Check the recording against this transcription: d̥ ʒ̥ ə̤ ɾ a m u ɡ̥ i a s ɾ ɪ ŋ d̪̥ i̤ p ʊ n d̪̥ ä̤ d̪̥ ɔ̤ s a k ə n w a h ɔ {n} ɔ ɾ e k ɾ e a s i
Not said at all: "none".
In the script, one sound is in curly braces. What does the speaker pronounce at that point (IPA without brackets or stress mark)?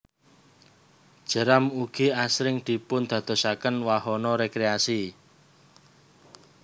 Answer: n